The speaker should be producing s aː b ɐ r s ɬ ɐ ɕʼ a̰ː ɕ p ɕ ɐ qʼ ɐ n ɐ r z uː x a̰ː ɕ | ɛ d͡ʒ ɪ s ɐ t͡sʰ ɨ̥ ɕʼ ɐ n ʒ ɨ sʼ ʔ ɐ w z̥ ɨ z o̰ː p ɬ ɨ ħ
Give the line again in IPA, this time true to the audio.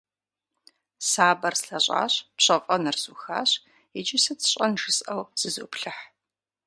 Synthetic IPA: s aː b ɐ r s ɬ ɐ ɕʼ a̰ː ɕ p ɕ ɐ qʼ ɐ n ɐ r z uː x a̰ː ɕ | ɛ d͡ʒ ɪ s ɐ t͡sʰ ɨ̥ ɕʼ ɐ n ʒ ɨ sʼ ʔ ɐ w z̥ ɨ z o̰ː p ɬ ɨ ħ